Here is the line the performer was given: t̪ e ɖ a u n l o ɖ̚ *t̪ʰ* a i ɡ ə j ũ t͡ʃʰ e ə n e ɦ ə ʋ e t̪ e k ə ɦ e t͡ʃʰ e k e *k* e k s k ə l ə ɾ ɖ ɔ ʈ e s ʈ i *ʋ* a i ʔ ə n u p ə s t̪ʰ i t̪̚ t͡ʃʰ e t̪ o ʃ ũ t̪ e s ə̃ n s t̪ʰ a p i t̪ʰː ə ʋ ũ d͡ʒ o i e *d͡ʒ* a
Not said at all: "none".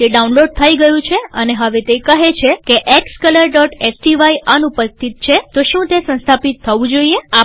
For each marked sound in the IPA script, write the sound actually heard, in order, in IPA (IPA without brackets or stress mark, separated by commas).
t̪ʰ, ʔ, ʋ, none